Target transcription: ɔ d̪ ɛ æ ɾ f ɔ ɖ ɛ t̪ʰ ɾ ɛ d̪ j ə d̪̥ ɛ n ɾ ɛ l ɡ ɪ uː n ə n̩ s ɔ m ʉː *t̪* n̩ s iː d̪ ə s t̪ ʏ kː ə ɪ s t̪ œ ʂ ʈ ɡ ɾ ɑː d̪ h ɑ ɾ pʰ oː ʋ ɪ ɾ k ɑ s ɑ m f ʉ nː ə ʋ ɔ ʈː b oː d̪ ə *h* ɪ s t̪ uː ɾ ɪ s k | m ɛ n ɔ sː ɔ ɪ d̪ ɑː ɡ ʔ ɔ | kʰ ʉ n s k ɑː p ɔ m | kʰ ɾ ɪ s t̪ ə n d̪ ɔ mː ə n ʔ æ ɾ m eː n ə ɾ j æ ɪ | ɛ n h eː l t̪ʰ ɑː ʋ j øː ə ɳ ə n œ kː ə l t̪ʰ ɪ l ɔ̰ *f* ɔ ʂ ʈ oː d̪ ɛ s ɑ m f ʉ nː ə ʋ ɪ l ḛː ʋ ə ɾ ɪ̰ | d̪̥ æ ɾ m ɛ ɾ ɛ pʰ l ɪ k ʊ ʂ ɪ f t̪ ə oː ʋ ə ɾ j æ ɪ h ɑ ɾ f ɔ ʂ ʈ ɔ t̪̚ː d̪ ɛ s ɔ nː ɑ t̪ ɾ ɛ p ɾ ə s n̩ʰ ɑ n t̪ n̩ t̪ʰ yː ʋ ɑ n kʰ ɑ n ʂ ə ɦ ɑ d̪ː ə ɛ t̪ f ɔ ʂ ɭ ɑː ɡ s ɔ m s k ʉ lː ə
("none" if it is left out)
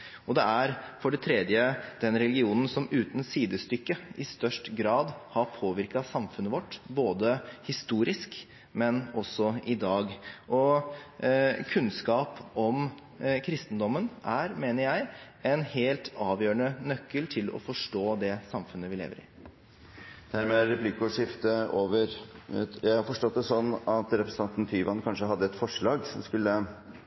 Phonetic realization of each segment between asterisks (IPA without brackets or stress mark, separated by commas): t̪, h, f